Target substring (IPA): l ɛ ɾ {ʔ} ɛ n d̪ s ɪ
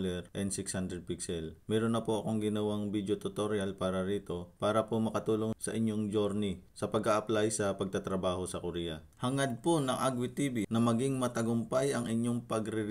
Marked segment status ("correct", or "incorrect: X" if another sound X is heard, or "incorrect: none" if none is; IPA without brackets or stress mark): correct